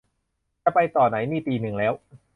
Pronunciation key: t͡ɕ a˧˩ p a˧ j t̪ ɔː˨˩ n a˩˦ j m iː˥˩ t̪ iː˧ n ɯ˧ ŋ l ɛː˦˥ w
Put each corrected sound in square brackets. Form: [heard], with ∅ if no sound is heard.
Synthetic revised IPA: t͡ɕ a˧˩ p a˧ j t̪ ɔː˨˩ n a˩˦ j [n] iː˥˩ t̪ iː˧ n [ɯ˨˩] ŋ l ɛː˦˥ w